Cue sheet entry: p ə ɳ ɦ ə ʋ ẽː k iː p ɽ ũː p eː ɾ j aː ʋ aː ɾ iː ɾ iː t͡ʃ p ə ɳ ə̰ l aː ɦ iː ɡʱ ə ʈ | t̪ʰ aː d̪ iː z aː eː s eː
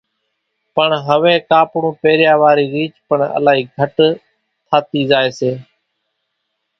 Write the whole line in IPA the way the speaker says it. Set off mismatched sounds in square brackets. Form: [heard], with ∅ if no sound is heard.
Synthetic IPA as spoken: p ə ɳ ɦ ə ʋ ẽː k [aː] p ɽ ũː p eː ɾ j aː ʋ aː ɾ iː ɾ iː t͡ʃ p ə ɳ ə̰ l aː ɦ iː ɡʱ ə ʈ | t̪ʰ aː [t̪] iː z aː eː s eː